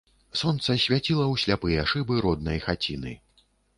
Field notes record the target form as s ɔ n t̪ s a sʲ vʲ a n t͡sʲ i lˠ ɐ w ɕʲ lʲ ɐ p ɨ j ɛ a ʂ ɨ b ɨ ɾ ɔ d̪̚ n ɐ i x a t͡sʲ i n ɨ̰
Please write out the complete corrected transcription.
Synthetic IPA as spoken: s ɔ n t̪ s ɐ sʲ vʲ a t͡sʲ i lˠ ɐ w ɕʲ lʲ a p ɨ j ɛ a ʂ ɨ b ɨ ɾ ɔ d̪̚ n ɐ j x a t͡sʲ i n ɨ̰